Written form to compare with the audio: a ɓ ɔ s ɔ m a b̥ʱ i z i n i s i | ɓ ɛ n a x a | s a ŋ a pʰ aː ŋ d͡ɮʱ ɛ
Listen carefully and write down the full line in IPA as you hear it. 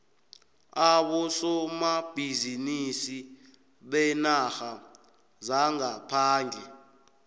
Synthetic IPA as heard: a ɓ ɔ s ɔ m a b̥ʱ i z i n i s i | ɓ ɛ n a x a | z a ŋ a pʰ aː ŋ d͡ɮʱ ɛ